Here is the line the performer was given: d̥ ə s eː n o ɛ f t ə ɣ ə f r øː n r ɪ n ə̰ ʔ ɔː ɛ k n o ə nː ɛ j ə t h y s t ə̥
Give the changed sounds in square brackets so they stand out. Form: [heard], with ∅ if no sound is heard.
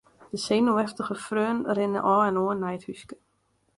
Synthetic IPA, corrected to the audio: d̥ ə s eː n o ɛ f t ə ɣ ə f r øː n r ɪ n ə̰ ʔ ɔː ɛ [∅] n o ə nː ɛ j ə t h y s [k] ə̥